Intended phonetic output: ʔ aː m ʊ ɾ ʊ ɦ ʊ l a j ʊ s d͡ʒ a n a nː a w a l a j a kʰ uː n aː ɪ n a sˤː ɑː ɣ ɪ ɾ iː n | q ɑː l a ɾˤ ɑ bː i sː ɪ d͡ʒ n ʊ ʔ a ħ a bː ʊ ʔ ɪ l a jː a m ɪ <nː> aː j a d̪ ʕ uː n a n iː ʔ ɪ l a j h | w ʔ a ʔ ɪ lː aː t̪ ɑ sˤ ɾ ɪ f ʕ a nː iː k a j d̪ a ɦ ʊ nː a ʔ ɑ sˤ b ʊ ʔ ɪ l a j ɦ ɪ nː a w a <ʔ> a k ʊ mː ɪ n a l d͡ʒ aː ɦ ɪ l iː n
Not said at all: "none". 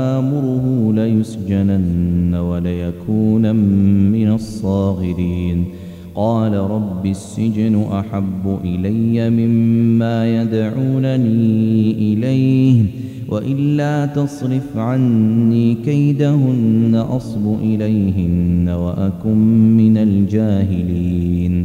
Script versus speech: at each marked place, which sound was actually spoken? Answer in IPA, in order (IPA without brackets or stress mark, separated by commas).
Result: mː, ʔ